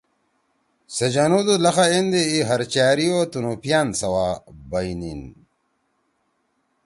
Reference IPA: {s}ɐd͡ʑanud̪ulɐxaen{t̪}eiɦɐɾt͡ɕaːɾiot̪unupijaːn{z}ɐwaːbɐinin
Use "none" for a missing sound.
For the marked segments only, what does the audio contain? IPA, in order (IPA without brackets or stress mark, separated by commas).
s, d̪, s